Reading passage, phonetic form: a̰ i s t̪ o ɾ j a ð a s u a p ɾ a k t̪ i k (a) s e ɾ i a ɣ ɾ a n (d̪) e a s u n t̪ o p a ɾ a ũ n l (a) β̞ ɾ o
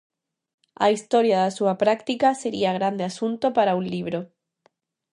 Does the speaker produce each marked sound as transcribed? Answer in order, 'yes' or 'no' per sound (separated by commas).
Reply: yes, yes, no